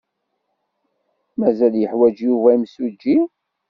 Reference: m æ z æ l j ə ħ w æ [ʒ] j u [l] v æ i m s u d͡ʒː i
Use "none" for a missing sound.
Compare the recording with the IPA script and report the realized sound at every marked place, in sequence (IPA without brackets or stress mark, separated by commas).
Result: d͡ʒ, none